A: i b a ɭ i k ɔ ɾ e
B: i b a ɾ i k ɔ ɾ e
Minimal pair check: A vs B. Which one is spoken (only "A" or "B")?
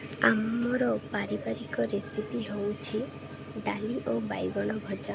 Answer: B